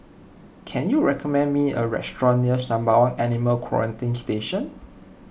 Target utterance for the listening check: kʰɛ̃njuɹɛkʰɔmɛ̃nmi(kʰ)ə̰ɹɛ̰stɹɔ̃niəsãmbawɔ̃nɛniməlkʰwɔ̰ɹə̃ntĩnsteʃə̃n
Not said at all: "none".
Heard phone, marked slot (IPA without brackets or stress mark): none